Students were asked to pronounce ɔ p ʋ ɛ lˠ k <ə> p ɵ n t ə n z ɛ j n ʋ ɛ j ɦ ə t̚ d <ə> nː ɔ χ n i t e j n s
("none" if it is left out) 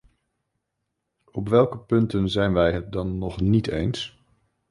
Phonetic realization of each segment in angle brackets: ə, ɑ

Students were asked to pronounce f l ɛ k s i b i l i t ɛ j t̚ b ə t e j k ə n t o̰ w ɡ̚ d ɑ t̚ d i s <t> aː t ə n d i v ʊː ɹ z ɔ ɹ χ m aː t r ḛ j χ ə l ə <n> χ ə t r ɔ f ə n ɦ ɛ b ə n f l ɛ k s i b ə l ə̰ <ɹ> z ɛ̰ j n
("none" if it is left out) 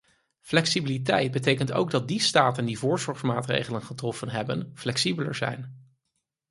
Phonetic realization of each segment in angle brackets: t, n, ɹ

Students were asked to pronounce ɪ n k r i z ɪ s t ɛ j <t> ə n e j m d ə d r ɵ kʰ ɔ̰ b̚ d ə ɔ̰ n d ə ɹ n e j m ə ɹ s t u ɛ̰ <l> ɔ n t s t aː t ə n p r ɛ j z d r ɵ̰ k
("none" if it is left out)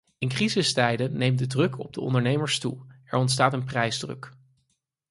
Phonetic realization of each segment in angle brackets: d, ɹ

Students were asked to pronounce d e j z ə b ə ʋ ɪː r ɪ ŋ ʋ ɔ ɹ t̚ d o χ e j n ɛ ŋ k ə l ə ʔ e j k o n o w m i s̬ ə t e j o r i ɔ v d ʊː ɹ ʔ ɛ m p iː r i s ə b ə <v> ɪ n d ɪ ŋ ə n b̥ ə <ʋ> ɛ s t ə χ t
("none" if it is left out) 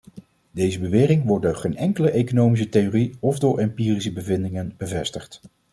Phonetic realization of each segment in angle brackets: v, v

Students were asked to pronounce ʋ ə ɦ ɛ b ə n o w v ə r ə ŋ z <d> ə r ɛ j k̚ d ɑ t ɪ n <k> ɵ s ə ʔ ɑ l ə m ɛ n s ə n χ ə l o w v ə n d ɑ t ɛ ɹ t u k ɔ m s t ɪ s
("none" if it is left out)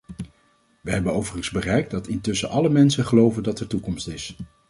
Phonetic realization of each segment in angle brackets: b, t

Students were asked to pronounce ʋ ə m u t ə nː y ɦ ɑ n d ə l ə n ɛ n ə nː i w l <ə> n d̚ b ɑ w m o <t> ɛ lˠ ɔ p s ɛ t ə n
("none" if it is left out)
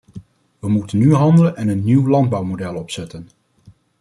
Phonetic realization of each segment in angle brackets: ɑ, d

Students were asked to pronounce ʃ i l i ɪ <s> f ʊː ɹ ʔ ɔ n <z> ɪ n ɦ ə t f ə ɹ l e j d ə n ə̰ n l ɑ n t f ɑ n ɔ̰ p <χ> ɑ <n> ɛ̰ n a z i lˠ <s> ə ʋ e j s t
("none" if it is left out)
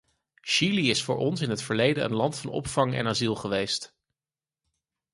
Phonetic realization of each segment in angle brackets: s, s, f, ŋ, χ

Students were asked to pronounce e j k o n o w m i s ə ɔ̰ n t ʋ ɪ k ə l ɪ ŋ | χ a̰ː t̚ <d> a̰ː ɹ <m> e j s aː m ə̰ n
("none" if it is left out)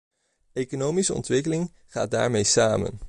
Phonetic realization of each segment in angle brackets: d, m

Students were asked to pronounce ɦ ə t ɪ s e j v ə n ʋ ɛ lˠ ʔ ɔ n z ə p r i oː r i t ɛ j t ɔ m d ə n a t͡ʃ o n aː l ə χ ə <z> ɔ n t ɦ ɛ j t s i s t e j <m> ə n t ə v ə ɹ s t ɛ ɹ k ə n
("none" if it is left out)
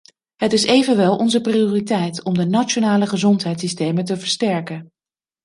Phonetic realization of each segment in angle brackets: z, m

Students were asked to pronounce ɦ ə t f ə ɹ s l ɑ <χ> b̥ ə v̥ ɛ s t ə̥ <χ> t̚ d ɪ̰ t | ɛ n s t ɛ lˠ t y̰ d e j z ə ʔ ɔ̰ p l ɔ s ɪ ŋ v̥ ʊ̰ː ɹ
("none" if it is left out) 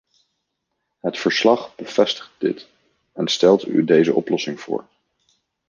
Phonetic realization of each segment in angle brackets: χ, χ

